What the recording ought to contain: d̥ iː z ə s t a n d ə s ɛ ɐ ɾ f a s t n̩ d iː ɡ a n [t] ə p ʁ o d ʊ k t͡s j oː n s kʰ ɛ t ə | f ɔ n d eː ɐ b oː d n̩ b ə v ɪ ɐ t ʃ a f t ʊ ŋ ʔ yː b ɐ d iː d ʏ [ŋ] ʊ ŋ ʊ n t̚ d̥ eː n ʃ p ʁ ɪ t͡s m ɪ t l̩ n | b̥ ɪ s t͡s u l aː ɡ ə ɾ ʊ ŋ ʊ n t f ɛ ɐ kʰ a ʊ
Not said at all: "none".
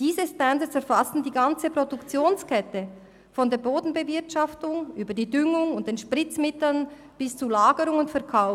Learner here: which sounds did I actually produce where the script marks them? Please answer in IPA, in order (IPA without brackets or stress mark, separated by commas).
t͡s, ŋ